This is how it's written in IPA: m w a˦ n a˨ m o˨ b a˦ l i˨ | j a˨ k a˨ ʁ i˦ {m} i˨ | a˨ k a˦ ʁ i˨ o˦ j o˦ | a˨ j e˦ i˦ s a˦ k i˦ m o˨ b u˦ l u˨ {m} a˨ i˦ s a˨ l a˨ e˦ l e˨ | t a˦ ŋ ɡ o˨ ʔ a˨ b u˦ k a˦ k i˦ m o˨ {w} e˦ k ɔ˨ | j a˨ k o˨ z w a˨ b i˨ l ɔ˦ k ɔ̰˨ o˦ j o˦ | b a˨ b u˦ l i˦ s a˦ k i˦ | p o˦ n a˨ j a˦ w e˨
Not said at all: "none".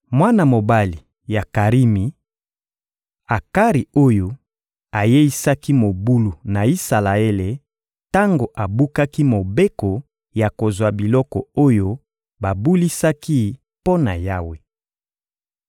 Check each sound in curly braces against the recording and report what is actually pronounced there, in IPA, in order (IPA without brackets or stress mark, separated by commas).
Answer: m, n, b